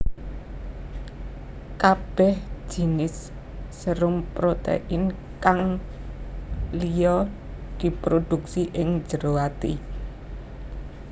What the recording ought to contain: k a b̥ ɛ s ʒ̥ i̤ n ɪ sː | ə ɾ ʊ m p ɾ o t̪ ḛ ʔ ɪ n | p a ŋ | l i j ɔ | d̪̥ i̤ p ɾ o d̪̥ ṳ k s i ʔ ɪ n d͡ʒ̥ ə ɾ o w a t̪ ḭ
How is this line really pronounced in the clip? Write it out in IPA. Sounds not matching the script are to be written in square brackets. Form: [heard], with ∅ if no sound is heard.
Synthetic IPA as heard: k a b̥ ɛ [h] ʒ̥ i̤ n ɪ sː | ə ɾ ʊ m p ɾ o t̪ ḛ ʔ ɪ n | [k] a ŋ | l i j ɔ | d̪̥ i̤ p ɾ o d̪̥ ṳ k s i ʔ ɪ [ŋ] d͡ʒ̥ ə ɾ o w a t̪ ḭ